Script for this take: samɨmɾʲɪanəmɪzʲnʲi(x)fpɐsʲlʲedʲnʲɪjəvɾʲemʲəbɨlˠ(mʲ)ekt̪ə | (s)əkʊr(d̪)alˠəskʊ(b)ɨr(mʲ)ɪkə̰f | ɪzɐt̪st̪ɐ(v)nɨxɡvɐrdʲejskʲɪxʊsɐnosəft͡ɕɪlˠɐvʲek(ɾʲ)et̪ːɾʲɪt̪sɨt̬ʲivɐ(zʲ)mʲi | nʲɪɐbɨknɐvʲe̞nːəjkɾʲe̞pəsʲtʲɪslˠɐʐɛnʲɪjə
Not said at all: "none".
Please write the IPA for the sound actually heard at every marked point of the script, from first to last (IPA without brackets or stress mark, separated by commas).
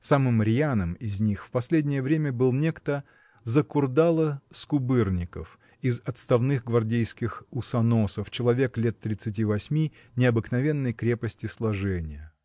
x, nʲ, z, d̪, b, nʲ, v, lʲ, sʲ